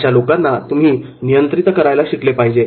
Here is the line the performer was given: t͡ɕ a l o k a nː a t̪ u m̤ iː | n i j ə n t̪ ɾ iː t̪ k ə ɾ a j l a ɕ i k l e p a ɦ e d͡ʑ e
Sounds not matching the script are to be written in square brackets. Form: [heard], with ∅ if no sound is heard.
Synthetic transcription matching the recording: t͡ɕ a l o k a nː a t̪ u m̤ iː | n i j ə n t̪ ɾ [i] t̪ k ə ɾ a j l a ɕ i k l e p a ɦ [i] d͡ʑ e

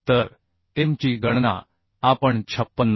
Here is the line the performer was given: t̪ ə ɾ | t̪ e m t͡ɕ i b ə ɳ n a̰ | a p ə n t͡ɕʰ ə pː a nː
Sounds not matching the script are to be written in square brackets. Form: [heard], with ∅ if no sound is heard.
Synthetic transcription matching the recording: t̪ ə ɾ | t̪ e m t͡ɕ i [ɡ] ə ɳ n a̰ | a p ə [ɳ] t͡ɕʰ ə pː [ə] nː

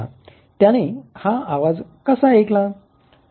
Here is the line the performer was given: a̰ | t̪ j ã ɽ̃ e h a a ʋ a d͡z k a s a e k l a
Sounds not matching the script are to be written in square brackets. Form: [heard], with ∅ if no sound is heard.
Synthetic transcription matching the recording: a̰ | t̪ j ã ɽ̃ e h a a ʋ a d͡z k [ə] s a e k l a

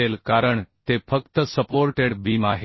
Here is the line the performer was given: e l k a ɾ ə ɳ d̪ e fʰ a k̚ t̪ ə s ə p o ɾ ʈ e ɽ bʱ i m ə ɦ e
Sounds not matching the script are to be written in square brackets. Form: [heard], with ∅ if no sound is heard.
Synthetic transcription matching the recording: e l k a ɾ ə ɳ [t̪] e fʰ [ə] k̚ t̪ ə s ə p o ɾ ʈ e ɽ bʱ i m [a] ɦ e

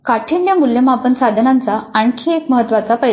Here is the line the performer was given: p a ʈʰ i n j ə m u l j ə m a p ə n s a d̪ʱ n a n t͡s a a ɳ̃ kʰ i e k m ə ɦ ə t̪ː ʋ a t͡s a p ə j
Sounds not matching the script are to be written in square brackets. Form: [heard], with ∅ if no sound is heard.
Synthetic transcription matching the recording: [k] a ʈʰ i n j ə m u l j ə m a p ə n s a d̪ʱ n a n t͡s a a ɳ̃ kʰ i e k m ə ɦ ə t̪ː ʋ a t͡s a p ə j

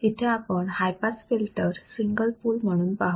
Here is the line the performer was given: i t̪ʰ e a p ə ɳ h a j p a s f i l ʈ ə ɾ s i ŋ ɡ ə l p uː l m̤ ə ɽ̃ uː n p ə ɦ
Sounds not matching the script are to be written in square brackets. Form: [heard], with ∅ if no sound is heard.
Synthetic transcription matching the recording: i t̪ʰ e a p ə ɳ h a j p a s f i l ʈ ə ɾ s i ŋ ɡ ə l p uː l m̤ ə ɽ̃ uː n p [a] ɦ

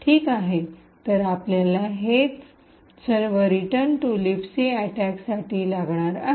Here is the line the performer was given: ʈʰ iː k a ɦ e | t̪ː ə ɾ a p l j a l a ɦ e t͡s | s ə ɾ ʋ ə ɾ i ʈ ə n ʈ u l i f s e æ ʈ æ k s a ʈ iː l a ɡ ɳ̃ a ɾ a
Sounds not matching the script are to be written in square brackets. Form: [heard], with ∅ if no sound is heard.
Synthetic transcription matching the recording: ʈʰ iː k a ɦ e | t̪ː ə ɾ a p l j a l a ɦ e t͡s | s ə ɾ ʋ ə ɾ i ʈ ə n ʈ u l i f s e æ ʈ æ k s a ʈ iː l a ɡ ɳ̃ a ɾ a

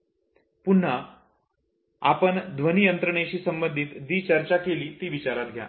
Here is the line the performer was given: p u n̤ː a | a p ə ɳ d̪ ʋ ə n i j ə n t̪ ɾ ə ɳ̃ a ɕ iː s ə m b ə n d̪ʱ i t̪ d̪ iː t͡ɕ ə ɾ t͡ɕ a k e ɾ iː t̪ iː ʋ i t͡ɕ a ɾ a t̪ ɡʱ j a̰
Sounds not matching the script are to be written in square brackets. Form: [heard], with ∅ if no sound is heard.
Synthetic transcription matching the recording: p u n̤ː a | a p ə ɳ d̪ ʋ ə n i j ə n t̪ ɾ ə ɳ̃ [e] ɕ iː s ə m b ə n d̪ʱ i t̪ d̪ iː t͡ɕ ə ɾ t͡ɕ a k e [l] iː t̪ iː ʋ i t͡ɕ a ɾ a t̪ ɡʱ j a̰

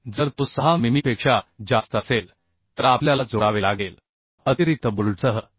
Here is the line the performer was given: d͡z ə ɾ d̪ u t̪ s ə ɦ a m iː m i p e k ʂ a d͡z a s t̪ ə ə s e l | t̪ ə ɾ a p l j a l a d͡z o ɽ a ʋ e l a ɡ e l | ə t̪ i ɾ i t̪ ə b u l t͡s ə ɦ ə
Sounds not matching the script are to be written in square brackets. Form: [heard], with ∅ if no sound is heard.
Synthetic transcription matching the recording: d͡z ə ɾ [t̪] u [∅] s ə ɦ a m [i] m i p e k ʂ a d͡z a s t̪ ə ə s e l | t̪ ə ɾ a p l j a l a d͡z o ɽ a ʋ e l a ɡ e l | ə t̪ i ɾ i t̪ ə b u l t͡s ə ɦ ə

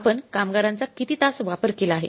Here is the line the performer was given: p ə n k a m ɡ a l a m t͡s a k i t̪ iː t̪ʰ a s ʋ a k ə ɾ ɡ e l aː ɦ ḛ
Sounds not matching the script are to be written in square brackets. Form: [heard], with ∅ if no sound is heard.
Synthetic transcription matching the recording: p ə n k a m ɡ a [ɾ] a [n] t͡s a k i t̪ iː [t̪] a s ʋ a [p] ə ɾ [k] e l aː ɦ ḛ

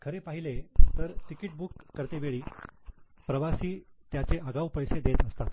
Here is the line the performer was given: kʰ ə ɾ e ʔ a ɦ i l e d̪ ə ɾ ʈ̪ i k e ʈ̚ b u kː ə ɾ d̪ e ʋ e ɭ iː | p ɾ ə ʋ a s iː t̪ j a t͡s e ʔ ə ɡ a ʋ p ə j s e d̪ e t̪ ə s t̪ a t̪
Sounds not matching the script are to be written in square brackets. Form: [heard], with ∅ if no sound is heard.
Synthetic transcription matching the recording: kʰ ə ɾ e [p] a ɦ i l e [t̪] ə ɾ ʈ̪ i k [i] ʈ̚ b u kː ə ɾ [t̪] e ʋ e ɭ iː | p ɾ ə ʋ a s iː t̪ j a t͡s e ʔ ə ɡ a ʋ p ə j s e d̪ e t̪ ə s t̪ a t̪

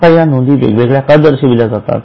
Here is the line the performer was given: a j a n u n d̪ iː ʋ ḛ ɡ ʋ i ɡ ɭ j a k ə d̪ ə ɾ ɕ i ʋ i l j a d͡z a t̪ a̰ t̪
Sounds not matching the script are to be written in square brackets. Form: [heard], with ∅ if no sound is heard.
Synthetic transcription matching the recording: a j a n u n d̪ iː ʋ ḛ ɡ ʋ [e] ɡ ɭ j a k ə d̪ ə ɾ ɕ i ʋ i l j a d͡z a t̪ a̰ t̪

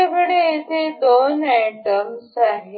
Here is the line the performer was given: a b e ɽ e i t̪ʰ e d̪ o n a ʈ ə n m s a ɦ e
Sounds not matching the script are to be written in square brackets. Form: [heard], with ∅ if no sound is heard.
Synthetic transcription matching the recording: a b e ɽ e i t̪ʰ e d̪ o n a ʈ ə [∅] m s a ɦ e

